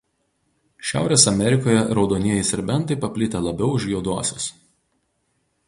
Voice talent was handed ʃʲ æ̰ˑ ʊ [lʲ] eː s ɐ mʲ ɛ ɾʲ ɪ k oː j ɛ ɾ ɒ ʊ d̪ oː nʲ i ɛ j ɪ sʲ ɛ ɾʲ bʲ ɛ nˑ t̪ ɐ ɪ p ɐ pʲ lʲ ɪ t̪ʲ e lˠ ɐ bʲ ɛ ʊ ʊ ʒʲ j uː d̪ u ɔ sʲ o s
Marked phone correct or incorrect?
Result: incorrect